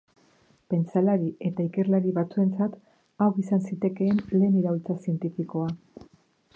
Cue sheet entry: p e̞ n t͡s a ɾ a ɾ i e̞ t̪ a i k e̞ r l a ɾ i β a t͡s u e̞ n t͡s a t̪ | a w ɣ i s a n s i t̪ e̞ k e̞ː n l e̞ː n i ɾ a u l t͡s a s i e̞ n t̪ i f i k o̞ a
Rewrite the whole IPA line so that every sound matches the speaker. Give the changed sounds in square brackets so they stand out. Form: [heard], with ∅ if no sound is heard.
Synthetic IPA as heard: p e̞ n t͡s a [l] a ɾ i e̞ t̪ a i k e̞ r l a ɾ i β a t͡s u e̞ n t͡s a t̪ | a w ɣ i s a n s i t̪ e̞ k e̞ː n l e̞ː n i ɾ a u l t͡s a s i e̞ n t̪ i f i k o̞ a

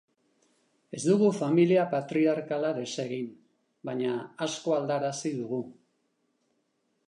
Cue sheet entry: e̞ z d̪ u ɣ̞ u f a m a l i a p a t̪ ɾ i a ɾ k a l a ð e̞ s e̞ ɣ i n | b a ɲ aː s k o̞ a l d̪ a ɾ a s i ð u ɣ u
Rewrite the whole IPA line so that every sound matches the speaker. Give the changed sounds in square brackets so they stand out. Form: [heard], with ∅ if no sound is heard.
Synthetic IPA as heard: e̞ z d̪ u ɣ̞ u f a m [i] l i a p a t̪ ɾ i a ɾ k a l a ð e̞ s e̞ ɣ i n | b a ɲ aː s k o̞ a l d̪ a ɾ a s i ð u ɣ u

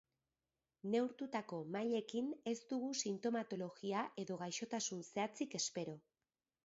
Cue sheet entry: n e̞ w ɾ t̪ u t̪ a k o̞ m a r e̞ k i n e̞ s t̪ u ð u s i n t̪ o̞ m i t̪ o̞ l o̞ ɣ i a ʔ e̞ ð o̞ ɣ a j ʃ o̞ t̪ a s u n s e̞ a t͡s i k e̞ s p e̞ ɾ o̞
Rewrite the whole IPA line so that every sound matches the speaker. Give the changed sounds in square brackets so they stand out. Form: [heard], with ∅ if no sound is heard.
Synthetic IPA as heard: n e̞ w ɾ t̪ u t̪ a k o̞ m a [ʎ] e̞ k i n e̞ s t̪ u [ɣ] u s i n t̪ o̞ m [a] t̪ o̞ l o̞ ɣ i a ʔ e̞ ð o̞ ɣ a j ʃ o̞ t̪ a s u n s e̞ a t͡s i k e̞ s p e̞ ɾ o̞

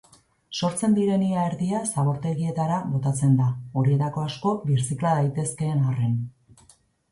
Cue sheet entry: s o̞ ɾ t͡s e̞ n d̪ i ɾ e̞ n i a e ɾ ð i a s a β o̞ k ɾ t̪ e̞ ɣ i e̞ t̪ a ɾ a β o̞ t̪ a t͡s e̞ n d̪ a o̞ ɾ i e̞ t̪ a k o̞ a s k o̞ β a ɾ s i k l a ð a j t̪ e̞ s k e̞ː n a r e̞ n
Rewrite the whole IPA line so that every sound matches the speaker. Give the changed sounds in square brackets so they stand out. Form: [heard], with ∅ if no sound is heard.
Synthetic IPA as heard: s o̞ ɾ t͡s e̞ n d̪ i ɾ e̞ n i a e ɾ ð i a s a β o̞ [∅] ɾ t̪ e̞ ɣ i e̞ t̪ a ɾ a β o̞ t̪ a t͡s e̞ n d̪ a o̞ ɾ i e̞ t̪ a k o̞ a s k o̞ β [i] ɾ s i k l a ð a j t̪ e̞ s k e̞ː n a r e̞ n

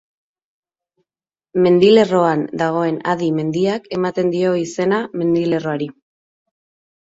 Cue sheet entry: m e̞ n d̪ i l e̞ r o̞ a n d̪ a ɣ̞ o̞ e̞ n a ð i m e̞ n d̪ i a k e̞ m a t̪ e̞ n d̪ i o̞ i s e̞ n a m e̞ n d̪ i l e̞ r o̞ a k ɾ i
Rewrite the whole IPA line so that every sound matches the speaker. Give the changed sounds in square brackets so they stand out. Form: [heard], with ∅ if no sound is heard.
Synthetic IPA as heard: m e̞ n d̪ i l e̞ r o̞ a n d̪ a ɣ̞ o̞ e̞ n a ð i m e̞ n d̪ i a k e̞ m a t̪ e̞ n d̪ i o̞ i s e̞ n a m e̞ n d̪ i l e̞ r o̞ a [∅] ɾ i

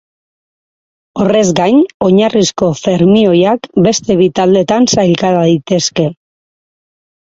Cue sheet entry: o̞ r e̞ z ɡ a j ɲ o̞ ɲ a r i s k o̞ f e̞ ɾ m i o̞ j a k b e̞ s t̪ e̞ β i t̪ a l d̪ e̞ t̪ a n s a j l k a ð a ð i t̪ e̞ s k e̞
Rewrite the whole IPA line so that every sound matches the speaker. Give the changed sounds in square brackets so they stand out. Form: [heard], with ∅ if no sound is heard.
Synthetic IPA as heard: o̞ r e̞ z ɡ a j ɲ o̞ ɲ a r i s k o̞ f e̞ ɾ m i o̞ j a k b e̞ s t̪ e̞ β i t̪ a l d̪ e̞ t̪ a n s a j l k a ð a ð i t̪ e̞ s k e̞

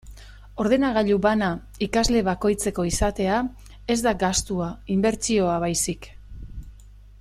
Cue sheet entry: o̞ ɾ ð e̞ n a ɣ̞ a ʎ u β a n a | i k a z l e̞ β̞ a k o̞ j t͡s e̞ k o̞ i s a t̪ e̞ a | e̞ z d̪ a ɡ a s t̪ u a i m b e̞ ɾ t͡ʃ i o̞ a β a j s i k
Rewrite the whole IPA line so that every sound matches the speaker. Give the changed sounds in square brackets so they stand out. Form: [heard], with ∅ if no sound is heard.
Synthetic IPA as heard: o̞ ɾ ð e̞ n a ɣ̞ a ʎ u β a n a | i k a z l e̞ β̞ a k o̞ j t͡s e̞ k o̞ i s a t̪ e̞ a | e̞ z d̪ a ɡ a s t̪ u a i m b e̞ ɾ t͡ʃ i o̞ a β a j s i k

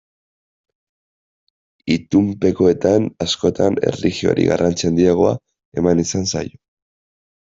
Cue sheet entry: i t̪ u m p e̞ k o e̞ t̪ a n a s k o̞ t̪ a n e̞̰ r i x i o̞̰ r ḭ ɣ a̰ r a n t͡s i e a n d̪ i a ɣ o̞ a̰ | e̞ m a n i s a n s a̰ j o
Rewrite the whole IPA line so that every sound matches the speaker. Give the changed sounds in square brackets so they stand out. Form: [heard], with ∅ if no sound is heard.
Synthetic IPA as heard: i t̪ u m p e̞ k o e̞ t̪ a n a s k o̞ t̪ a n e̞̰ r i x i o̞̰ [ɾ] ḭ ɣ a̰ r a n t͡s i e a n d̪ i a ɣ o̞ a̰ | e̞ m a n i s a n s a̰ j o

